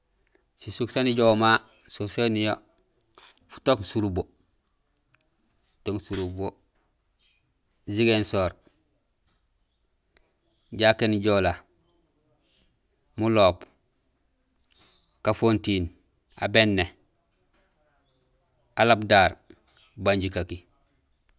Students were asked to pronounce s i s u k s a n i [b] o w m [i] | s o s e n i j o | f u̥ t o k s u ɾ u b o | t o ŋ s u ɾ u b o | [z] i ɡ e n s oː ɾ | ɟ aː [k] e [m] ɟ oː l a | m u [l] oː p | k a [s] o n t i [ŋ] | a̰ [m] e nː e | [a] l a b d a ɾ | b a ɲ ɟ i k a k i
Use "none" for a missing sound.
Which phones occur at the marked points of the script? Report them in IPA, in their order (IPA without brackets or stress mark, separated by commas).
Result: ɟ, a, z, k, n, l, f, n, b, a